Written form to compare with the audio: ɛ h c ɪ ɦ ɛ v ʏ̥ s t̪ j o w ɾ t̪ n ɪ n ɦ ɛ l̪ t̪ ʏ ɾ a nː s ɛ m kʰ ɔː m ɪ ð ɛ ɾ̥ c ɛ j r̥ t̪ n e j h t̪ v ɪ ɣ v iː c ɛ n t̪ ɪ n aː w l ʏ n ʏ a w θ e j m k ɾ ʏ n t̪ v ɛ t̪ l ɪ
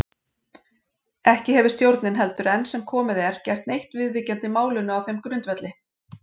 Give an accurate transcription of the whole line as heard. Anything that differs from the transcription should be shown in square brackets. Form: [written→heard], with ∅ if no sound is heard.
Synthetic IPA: ɛ h c ɪ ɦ ɛ v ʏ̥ s t̪ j o w ɾ t̪ n ɪ n ɦ ɛ l̪ t̪ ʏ ɾ [a→ɛ] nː s ɛ m kʰ ɔː m ɪ ð ɛ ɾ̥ c ɛ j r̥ t̪ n e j h t̪ v ɪ [ɣ→ð] v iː c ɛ n t̪ ɪ [n→m] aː w l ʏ n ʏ a w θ e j m k ɾ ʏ n t̪ v ɛ t̪ l ɪ